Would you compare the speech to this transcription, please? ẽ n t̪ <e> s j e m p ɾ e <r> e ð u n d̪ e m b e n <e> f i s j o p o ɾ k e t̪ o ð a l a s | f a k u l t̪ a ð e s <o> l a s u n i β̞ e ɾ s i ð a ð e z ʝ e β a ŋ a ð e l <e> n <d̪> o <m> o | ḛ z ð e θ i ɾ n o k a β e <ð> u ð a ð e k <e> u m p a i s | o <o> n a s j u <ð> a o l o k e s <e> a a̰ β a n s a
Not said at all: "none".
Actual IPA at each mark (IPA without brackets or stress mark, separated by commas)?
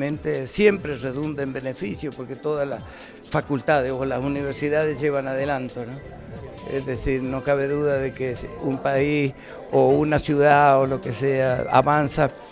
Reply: e, r, e, o, a, t̪, n, ð, e, u, ð, e